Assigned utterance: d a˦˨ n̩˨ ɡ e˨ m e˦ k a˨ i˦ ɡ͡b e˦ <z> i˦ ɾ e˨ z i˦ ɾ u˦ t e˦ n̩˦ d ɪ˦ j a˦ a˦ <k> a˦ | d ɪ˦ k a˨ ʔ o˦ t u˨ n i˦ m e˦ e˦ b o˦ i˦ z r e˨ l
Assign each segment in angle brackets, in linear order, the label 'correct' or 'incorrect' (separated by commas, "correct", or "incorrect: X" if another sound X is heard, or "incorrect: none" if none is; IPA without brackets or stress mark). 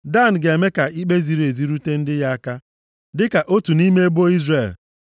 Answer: correct, correct